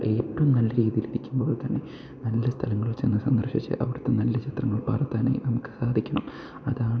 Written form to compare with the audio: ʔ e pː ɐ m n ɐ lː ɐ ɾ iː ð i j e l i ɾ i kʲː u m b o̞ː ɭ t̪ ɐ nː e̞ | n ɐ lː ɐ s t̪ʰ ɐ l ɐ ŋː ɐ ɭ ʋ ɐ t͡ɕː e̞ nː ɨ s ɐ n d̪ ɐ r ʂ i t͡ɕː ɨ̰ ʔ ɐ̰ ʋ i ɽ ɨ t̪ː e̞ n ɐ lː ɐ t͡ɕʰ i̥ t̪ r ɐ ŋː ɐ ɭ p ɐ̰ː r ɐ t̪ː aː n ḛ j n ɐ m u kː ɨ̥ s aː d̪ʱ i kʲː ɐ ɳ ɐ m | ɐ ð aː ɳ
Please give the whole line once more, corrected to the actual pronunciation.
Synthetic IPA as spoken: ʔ e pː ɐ m n ɐ lː ɐ ɾ iː ð i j i l i ɾ i kʲː u m b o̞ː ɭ t̪ ɐ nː e̞ | n ɐ lː ɐ s t̪ʰ ɐ l ɐ ŋː ɐ ɭ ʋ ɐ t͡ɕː e̞ nː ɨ s ɐ n d̪ ɐ r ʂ i t͡ɕː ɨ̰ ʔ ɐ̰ ʋ i ɽ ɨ t̪ː e̞ n ɐ lː ɐ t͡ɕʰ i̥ t̪ r ɐ ŋː ɐ ɭ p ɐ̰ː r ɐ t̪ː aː n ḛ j n ɐ m u kː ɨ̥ s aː d̪ʱ i kʲː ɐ ɳ ɐ m | ɐ ð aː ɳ